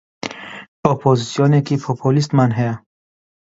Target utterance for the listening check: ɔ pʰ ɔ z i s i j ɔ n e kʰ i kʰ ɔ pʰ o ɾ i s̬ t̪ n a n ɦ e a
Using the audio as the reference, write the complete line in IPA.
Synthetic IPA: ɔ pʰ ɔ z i s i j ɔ n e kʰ i pʰ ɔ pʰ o l i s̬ t̪ m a n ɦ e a